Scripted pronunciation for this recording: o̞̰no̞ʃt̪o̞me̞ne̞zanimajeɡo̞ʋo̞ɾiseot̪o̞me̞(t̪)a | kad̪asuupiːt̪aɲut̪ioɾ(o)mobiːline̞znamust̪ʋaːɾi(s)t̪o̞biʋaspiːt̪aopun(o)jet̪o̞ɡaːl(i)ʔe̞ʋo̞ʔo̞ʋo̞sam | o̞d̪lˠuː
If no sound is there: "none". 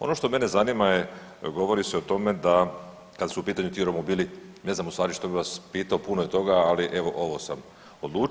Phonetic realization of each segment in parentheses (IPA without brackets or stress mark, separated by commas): d̪, o, ʃ, o, i